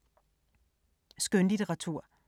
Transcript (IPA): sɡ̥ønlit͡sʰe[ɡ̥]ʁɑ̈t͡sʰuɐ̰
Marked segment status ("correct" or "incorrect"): incorrect